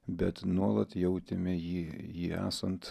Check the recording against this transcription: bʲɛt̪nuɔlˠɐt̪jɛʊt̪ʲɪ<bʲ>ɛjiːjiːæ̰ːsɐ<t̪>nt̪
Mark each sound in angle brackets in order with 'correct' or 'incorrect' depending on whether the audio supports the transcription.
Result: incorrect: mʲ, incorrect: none

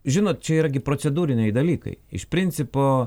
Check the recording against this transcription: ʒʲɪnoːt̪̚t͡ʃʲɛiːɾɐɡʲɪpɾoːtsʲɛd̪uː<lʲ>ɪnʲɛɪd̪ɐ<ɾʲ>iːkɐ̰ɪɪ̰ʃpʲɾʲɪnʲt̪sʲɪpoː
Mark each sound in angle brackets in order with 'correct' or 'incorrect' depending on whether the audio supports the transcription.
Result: incorrect: ɾʲ, incorrect: lʲ

